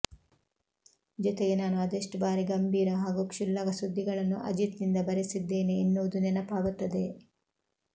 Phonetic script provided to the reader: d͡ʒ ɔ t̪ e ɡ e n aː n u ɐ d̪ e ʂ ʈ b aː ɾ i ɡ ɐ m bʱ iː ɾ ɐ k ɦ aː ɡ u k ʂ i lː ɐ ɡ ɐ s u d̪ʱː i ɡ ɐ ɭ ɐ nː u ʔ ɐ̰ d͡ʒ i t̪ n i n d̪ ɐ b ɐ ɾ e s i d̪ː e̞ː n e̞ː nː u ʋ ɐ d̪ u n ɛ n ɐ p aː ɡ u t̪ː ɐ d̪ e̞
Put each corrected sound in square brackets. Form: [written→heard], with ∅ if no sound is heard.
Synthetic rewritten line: d͡ʒ ɔ t̪ e ɡ e n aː n u ɐ d̪ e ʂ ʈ b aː ɾ i ɡ ɐ m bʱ iː ɾ ɐ [k→∅] ɦ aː ɡ u k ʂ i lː ɐ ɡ ɐ s u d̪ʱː i ɡ ɐ ɭ ɐ nː u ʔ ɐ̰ d͡ʒ i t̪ n i n d̪ ɐ b ɐ ɾ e s i d̪ː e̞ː n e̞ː nː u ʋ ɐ d̪ u n ɛ n ɐ p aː ɡ u t̪ː ɐ d̪ e̞